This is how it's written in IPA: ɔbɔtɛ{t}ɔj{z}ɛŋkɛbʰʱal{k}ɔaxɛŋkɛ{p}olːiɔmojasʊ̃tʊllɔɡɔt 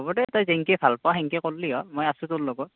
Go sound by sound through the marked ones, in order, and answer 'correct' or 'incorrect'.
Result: correct, correct, incorrect, incorrect

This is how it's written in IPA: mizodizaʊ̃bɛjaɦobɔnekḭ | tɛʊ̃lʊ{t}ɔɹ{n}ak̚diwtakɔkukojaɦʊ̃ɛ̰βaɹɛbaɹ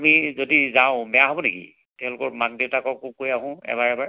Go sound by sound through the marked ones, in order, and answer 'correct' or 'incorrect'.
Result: incorrect, incorrect

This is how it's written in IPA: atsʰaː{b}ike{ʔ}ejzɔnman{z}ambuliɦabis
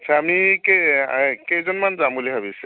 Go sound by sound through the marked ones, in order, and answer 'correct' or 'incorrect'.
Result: incorrect, incorrect, correct

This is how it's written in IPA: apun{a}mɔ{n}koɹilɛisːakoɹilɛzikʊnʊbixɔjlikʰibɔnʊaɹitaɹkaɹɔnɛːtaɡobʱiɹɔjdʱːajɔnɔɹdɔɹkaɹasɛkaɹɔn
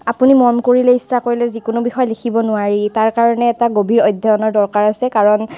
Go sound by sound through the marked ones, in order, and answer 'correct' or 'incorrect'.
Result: incorrect, correct

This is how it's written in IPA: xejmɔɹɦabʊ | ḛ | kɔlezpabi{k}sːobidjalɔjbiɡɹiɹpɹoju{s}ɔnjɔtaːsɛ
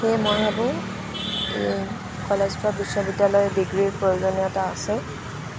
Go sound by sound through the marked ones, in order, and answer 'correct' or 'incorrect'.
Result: incorrect, incorrect

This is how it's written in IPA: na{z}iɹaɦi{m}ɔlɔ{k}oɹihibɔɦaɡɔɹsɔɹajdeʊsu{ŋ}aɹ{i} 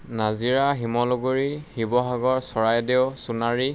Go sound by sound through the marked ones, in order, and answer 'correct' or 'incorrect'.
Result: correct, correct, incorrect, incorrect, correct

